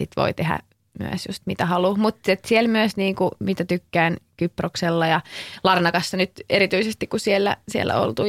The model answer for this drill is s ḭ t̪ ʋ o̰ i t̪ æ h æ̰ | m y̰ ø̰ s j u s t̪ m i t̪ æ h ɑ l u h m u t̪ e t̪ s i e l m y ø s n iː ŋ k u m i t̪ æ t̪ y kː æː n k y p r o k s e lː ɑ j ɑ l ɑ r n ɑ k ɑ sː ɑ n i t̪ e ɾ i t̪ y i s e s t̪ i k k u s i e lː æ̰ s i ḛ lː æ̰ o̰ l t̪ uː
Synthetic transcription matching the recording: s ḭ t̪ ʋ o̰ i t̪ e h æ̰ | m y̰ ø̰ s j u s t̪ m i t̪ æ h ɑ l u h m u t̪ e t̪ s i e l m y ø s n iː ŋ k u m i t̪ æ t̪ y kː æː n k y p r o k s e lː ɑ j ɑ l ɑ r n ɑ k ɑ sː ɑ n y t̪ e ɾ i t̪ y i s e s t̪ i k k u s i e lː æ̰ s i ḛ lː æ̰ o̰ l t̪ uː